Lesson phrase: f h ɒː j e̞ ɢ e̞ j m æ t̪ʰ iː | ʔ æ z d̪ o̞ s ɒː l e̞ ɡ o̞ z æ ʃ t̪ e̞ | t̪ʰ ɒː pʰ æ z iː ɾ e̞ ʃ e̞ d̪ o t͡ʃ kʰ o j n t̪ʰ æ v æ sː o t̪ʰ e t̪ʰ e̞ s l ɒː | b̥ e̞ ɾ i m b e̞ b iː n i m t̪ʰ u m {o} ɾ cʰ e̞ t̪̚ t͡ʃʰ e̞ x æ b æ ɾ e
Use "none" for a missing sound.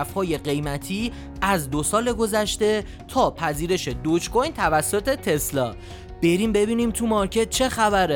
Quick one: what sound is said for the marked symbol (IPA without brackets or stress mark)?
ɒ